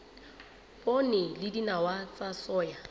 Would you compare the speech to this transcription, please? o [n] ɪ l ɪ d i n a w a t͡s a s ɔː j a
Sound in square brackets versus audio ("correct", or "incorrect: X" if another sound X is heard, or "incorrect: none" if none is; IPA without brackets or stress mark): correct